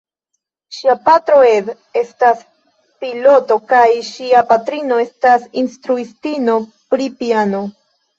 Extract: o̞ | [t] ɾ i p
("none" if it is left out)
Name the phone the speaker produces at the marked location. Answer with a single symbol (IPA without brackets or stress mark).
p